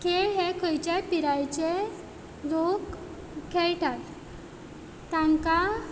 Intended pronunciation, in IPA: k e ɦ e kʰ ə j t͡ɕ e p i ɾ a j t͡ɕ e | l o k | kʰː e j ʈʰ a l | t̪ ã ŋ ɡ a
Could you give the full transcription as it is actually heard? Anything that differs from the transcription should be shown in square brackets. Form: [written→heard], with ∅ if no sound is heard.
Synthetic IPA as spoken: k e ɦ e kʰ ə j t͡ɕ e p i ɾ a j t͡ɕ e | [l→ɾ] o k | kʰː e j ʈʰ a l | t̪ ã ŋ [ɡ→k] a